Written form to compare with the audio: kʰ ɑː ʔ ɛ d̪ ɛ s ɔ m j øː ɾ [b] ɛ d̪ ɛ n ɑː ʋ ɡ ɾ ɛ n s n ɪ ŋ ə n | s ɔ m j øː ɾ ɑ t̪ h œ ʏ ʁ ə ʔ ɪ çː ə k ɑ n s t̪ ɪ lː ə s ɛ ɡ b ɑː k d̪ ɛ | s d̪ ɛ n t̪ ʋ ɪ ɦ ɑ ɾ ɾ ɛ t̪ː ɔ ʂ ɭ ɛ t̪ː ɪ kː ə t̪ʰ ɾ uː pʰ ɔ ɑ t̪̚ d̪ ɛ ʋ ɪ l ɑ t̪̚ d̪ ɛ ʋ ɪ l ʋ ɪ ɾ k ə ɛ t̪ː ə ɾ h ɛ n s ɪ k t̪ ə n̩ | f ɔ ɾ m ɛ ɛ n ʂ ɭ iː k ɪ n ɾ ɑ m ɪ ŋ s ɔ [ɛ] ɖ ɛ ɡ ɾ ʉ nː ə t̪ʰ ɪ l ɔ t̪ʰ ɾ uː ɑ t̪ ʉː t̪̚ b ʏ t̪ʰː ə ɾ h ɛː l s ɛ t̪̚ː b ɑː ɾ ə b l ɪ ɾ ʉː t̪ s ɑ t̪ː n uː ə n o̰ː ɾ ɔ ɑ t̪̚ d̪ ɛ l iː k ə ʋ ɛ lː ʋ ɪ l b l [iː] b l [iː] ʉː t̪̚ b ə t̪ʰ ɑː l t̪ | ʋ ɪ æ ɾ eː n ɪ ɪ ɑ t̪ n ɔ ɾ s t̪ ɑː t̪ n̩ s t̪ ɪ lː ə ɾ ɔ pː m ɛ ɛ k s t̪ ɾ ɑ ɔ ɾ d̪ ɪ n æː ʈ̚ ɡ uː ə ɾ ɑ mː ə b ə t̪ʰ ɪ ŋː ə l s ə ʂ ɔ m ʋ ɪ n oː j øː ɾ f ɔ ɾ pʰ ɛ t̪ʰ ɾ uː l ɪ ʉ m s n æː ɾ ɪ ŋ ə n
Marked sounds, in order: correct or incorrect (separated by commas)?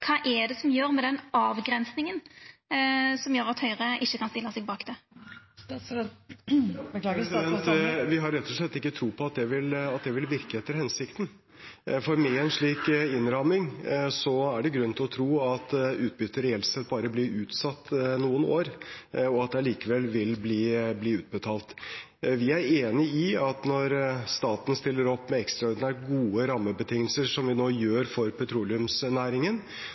incorrect, incorrect, correct, correct